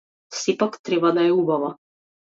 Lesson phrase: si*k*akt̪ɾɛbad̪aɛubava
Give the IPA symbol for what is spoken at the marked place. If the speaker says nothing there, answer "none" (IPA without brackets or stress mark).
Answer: p